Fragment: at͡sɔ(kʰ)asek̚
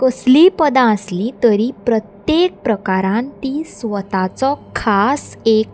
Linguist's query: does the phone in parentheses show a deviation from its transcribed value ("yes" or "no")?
no